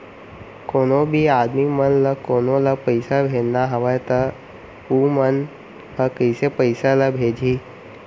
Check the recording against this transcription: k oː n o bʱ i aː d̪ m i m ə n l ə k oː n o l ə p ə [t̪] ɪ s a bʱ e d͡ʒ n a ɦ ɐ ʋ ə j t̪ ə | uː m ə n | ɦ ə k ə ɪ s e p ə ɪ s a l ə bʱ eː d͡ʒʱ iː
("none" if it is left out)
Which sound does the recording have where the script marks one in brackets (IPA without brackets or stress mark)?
none